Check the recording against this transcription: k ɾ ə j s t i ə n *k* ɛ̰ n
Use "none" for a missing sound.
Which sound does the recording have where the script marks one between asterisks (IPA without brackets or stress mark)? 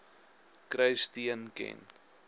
k